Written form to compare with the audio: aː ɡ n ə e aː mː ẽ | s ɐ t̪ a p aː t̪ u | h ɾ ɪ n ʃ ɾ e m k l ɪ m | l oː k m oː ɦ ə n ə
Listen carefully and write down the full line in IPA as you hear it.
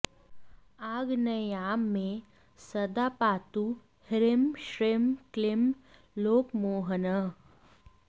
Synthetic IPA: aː ɡ n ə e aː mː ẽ | s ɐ d̪ a p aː t̪ u | h ɾ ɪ m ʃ ɾ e m k l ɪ m | l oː k m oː ɦ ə n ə